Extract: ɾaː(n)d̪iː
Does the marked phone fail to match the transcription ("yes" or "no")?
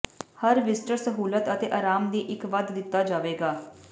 yes